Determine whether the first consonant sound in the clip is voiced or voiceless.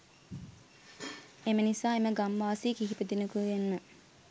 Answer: voiced